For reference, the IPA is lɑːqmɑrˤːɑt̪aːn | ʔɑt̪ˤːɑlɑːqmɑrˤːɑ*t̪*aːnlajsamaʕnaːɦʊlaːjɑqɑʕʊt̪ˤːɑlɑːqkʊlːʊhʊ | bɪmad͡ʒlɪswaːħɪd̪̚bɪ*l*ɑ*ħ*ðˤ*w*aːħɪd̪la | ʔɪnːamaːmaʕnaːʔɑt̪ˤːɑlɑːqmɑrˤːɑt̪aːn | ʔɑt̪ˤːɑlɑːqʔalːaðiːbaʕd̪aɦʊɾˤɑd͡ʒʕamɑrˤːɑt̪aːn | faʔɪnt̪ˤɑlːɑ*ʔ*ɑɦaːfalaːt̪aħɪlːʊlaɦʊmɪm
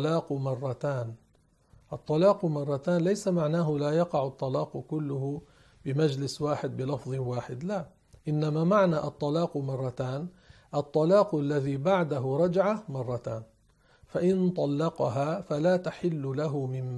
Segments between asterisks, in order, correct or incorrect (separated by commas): correct, correct, incorrect, correct, incorrect